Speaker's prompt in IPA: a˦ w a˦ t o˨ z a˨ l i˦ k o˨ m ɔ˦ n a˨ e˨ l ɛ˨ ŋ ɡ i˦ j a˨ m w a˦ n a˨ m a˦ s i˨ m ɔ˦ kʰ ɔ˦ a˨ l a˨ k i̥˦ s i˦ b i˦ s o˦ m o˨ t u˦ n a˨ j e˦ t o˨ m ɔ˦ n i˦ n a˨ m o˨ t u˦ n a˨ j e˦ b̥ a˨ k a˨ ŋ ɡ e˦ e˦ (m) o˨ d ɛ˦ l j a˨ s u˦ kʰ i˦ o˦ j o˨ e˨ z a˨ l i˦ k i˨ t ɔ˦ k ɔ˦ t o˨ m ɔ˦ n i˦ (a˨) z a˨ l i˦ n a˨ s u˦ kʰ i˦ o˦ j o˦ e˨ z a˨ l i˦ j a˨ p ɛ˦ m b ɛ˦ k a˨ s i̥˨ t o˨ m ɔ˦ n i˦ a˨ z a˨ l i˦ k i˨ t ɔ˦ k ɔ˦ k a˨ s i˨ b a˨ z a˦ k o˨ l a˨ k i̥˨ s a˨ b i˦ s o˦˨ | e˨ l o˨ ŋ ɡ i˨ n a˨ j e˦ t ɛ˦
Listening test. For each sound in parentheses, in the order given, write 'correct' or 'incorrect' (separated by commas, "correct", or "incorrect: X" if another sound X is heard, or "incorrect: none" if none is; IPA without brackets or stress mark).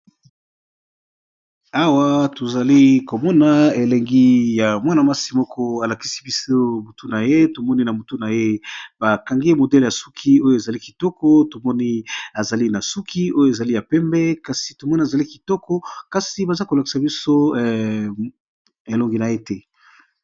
correct, correct